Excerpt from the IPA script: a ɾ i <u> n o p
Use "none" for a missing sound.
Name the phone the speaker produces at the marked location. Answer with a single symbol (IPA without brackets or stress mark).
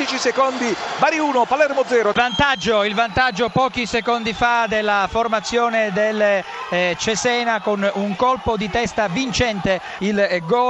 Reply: uː